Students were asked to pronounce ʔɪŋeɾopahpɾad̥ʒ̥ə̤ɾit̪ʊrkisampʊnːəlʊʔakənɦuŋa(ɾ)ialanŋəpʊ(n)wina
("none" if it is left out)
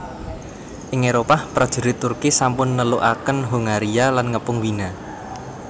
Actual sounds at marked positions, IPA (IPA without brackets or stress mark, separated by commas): ɾ, ŋ